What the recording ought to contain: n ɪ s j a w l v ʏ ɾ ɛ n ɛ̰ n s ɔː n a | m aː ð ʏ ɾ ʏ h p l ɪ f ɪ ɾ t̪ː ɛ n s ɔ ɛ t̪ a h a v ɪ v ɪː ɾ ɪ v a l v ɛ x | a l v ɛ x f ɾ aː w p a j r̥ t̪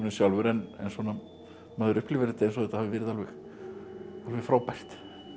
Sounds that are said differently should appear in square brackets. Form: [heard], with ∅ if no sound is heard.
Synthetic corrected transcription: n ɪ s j a w l v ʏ ɾ ɛ n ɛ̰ n s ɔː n a | m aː ð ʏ ɾ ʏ h p l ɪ [v] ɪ ɾ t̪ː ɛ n s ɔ ɛ t̪ a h a v ɪ v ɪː ɾ ɪ [ð] a l v ɛ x | a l v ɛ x f ɾ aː w p a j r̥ t̪